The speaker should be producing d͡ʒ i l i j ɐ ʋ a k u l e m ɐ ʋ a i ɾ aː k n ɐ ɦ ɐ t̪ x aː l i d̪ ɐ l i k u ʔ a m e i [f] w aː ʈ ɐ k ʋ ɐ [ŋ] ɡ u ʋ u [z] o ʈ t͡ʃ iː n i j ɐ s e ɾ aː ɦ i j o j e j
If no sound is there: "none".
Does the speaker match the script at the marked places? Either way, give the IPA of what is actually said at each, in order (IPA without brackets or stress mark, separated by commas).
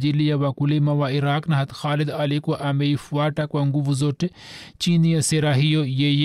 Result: f, ŋ, z